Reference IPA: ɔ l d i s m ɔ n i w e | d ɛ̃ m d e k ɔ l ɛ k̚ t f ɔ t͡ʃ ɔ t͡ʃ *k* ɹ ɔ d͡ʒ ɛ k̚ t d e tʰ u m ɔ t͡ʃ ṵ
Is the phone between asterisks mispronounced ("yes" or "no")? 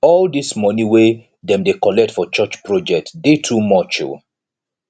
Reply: yes